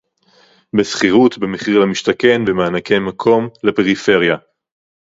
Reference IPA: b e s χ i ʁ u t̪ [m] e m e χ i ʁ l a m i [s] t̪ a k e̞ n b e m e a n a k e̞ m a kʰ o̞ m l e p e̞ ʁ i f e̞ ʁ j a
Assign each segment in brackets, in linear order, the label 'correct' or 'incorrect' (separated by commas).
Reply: incorrect, incorrect